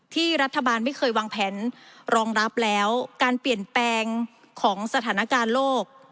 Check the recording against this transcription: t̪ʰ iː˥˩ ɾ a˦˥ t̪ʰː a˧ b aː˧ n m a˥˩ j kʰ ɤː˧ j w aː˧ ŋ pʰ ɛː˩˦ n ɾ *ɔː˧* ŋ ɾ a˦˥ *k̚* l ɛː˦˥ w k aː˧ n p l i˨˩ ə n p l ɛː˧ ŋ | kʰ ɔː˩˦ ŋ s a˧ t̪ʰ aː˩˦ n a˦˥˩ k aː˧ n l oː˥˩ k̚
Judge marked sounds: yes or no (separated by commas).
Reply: yes, no